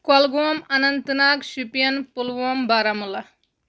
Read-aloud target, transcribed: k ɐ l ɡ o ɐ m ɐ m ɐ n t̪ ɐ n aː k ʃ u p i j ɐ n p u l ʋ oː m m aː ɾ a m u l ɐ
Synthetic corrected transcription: k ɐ l ɡ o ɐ m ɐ n ɐ n t̪ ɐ n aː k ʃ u p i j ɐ n p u l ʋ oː m b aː ɾ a m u l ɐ